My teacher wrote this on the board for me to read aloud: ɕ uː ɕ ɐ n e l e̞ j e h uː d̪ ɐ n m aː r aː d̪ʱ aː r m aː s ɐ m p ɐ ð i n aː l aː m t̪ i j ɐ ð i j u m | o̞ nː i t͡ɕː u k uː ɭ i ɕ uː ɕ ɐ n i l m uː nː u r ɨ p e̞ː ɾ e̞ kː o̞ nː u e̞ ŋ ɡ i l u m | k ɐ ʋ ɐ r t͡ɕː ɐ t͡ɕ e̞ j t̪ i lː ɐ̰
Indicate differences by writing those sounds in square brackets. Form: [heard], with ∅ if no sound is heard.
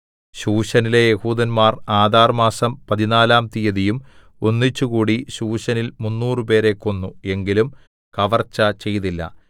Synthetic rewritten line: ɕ uː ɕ ɐ n [i] l e̞ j e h uː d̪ ɐ n m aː r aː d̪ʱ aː r m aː s ɐ m p ɐ ð i n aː l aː m t̪ i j ɐ ð i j u m | o̞ nː i t͡ɕː u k uː [ɽ] i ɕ uː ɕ ɐ n i l m [u] nː [uː] r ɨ p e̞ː ɾ e̞ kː o̞ nː u e̞ ŋ ɡ i l u m | k ɐ ʋ ɐ r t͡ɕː ɐ t͡ɕ e̞ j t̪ i lː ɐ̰